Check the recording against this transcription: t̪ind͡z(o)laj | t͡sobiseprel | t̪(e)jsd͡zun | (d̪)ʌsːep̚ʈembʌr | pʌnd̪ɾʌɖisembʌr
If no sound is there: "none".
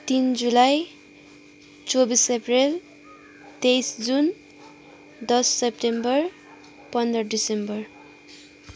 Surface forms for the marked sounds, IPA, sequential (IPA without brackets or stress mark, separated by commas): u, e, d̪